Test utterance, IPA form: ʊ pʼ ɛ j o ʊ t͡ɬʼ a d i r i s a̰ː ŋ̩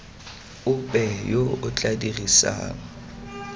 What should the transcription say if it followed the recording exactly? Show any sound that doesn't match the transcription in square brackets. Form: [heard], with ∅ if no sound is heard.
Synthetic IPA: ʊ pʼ ɛ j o ʊ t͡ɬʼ a d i r i s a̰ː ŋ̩